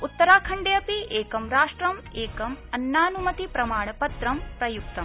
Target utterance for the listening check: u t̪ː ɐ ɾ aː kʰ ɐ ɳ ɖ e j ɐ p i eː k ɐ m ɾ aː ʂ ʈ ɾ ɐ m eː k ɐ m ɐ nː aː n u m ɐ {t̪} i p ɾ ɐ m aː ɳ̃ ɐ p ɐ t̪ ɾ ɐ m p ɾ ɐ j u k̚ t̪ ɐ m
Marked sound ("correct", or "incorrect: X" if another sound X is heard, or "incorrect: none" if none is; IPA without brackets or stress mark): correct